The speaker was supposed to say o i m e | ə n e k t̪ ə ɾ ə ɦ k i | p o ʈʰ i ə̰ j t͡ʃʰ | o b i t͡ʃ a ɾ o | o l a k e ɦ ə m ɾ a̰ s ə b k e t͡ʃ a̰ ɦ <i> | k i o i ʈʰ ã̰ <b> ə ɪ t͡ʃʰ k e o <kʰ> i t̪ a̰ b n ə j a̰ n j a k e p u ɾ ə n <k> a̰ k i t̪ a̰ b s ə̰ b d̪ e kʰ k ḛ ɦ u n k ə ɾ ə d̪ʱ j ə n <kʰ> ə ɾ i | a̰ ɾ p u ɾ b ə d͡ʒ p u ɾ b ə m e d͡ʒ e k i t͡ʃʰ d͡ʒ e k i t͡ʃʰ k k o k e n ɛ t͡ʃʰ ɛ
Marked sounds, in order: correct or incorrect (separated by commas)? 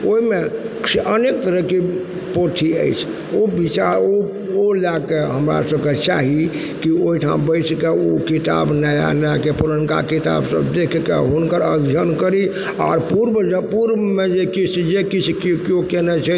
correct, correct, incorrect, correct, incorrect